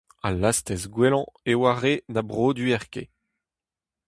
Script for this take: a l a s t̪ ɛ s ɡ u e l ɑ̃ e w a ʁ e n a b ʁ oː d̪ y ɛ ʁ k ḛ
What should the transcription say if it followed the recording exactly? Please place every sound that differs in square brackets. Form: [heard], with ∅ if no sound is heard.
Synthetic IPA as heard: a l a s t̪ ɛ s ɡ [w] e l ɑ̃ e w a ʁ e n a b ʁ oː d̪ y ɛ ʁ k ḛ